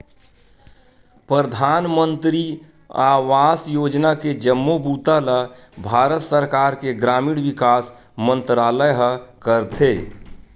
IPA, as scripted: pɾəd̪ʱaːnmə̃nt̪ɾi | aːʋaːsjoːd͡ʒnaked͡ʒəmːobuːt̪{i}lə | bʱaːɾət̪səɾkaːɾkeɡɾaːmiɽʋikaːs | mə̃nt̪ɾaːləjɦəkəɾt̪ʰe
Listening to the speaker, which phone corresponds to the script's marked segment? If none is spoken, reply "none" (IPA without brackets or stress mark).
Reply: a